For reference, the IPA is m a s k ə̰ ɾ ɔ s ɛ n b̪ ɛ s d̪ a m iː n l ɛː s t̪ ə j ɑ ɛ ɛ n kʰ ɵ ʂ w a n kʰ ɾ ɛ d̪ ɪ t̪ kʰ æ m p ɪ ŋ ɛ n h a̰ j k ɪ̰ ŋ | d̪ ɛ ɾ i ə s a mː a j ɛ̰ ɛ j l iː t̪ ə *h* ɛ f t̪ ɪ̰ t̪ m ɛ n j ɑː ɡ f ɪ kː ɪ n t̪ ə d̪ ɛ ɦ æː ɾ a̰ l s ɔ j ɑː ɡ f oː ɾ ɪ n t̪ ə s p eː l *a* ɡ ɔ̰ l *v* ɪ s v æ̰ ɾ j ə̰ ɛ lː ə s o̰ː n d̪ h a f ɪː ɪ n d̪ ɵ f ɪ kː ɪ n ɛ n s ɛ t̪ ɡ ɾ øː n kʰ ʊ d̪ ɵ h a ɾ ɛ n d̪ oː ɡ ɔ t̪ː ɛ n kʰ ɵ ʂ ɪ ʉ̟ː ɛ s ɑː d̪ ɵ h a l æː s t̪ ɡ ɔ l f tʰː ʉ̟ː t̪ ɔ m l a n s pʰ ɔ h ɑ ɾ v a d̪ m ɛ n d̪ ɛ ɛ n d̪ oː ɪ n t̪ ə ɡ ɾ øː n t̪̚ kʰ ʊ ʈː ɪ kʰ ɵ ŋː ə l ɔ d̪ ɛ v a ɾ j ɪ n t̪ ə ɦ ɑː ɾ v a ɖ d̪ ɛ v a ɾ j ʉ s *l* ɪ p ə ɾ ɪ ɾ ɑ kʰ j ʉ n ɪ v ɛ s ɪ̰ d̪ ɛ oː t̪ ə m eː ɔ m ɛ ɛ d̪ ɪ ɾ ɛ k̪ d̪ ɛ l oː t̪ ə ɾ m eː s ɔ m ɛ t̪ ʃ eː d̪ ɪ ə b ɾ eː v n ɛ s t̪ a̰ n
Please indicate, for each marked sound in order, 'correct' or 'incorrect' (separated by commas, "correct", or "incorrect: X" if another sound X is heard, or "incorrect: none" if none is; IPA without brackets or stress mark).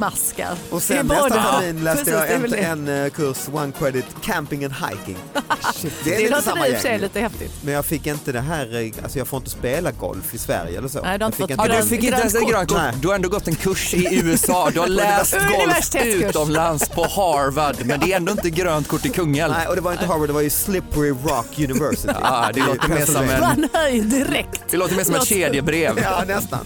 correct, correct, incorrect: f, correct